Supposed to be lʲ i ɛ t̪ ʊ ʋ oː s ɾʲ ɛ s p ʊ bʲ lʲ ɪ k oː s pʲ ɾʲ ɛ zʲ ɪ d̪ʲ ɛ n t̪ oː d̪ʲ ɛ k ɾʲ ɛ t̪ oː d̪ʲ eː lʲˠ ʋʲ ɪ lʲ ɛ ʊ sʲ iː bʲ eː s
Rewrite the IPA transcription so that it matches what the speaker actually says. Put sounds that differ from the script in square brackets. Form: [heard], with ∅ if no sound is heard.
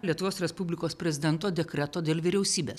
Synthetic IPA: lʲ i ɛ t̪ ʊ ʋ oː s ɾʲ ɛ s p ʊ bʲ lʲ ɪ k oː s pʲ ɾʲ ɛ zʲ ɪ d̪ʲ ɛ n t̪ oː d̪ʲ ɛ k ɾʲ ɛ t̪ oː d̪ʲ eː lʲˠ ʋʲ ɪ [ɾʲ] ɛ ʊ sʲ iː bʲ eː s